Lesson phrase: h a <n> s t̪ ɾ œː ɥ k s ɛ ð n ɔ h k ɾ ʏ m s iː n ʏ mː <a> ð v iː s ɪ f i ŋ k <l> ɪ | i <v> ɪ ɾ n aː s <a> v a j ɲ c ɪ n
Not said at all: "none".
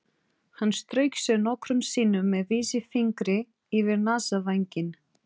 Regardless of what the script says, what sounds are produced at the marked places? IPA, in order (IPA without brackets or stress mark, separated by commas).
nː, ɛ, ɾ, v, a